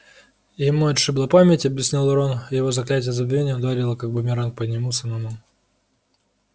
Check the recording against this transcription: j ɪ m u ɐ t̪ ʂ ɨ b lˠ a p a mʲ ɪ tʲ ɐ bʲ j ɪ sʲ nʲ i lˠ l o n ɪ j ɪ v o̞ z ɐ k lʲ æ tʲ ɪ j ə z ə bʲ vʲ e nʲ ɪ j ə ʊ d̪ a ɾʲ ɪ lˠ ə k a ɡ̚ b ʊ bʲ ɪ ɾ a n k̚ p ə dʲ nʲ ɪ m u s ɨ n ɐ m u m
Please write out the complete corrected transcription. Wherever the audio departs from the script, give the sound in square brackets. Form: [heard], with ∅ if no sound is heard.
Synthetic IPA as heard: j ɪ m u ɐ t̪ ʂ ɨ b lˠ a p a mʲ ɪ tʲ ɐ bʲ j ɪ sʲ nʲ i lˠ [ɾ] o n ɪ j ɪ v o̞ z ɐ k lʲ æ tʲ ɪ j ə z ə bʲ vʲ e nʲ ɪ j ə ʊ d̪ a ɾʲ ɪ lˠ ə k a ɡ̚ b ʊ [mʲ] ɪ ɾ a n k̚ p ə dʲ nʲ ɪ m u s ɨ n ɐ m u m